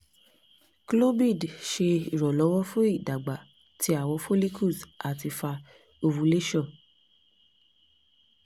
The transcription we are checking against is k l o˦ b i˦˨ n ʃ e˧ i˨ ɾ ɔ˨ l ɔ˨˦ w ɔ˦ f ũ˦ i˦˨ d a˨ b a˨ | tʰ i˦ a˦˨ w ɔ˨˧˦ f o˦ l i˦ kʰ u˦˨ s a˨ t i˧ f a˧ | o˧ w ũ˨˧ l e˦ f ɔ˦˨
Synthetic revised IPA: k l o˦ b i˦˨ d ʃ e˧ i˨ ɾ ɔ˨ l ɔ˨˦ w ɔ˦ f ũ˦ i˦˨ d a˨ ɡ͡b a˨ | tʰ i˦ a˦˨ w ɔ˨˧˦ f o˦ l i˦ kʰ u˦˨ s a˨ t i˧ f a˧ | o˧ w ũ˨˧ l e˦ ʃ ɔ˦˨